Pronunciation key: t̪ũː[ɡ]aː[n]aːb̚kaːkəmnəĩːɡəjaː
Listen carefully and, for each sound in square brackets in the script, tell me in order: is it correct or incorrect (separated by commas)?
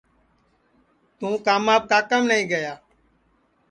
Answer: incorrect, incorrect